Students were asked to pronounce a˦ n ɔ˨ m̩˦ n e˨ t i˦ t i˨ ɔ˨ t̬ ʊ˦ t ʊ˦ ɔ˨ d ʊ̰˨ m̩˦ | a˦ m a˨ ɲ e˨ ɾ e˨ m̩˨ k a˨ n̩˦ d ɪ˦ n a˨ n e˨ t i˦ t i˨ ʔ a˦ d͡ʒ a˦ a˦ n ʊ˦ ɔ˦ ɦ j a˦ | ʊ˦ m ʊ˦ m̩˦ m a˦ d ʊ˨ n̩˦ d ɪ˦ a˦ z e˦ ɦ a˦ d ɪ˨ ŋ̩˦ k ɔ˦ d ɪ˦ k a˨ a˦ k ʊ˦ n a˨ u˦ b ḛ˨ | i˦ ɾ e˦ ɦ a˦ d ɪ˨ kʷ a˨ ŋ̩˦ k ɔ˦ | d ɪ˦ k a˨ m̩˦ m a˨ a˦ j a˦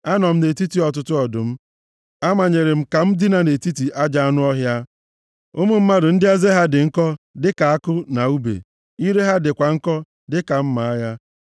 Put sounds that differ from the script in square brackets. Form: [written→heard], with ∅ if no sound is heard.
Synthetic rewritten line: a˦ n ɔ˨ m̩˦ n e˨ t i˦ t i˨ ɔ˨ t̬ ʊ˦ t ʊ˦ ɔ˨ d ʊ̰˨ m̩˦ | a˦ m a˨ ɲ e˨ ɾ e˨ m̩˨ k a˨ [n̩˦→m̩˦] d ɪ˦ n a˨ n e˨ t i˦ t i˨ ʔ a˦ d͡ʒ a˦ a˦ n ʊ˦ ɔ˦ ɦ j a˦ | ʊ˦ m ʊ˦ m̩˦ m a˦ d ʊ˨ n̩˦ d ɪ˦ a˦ z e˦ ɦ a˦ d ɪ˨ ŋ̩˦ k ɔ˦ d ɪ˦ k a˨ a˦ k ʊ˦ n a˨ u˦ b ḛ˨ | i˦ ɾ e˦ ɦ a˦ d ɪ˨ kʷ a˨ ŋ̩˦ k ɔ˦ | d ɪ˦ k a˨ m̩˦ m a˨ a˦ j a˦